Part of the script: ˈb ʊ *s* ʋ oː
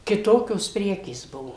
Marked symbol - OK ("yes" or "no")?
no